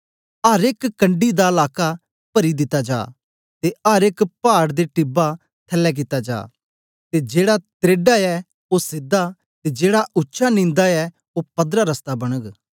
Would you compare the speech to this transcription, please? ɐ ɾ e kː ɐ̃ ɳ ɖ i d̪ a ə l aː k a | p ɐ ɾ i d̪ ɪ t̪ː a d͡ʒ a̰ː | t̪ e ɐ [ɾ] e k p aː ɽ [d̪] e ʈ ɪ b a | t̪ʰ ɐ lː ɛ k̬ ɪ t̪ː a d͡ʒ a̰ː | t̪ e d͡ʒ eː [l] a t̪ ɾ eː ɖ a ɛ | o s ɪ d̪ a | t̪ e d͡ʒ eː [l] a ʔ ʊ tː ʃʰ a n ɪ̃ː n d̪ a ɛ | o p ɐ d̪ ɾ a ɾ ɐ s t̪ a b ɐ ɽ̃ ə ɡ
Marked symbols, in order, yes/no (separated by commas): yes, yes, no, no